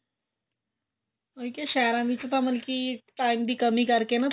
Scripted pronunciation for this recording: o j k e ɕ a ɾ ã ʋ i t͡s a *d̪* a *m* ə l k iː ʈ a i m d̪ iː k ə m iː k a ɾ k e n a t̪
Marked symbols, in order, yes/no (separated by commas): no, yes